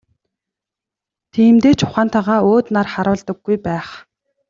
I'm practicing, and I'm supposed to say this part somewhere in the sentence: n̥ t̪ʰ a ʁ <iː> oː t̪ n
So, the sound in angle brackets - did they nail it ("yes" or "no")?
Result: no